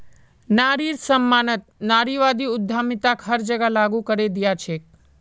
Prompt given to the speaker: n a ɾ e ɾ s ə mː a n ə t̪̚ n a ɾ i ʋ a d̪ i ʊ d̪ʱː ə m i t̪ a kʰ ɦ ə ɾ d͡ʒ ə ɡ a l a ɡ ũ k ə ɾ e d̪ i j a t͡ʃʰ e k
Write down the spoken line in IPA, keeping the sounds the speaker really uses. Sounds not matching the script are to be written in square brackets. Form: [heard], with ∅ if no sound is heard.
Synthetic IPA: n a ɾ [i] ɾ s ə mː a n ə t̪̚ n a ɾ i ʋ a d̪ i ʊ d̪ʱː [a] m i t̪ a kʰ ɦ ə ɾ d͡ʒ ə ɡ a l a ɡ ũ k ə ɾ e d̪ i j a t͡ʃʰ e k